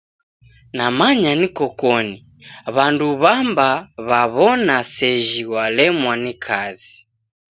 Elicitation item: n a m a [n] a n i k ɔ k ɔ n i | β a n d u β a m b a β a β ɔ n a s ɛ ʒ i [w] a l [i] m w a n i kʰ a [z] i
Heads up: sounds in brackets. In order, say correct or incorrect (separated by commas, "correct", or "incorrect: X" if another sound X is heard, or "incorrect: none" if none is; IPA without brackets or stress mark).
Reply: incorrect: ɲ, correct, incorrect: ɛ, correct